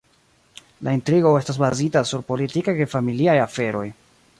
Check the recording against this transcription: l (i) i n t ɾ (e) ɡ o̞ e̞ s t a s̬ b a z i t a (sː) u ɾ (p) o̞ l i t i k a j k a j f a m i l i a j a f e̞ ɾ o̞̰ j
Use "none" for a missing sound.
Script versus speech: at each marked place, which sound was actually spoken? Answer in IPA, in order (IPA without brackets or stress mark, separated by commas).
a, i, s, p